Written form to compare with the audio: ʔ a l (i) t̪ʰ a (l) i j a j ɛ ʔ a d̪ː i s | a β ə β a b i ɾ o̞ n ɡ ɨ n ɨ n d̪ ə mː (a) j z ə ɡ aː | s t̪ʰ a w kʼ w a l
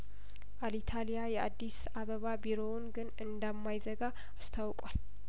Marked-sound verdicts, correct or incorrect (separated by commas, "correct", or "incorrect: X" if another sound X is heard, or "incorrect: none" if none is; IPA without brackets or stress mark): correct, correct, correct